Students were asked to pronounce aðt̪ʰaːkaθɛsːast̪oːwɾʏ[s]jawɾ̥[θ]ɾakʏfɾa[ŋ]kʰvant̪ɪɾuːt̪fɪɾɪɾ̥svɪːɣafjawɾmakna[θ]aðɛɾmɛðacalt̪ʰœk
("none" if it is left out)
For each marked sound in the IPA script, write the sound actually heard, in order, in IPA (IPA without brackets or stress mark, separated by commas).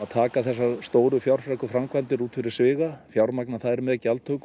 f, f, m, θ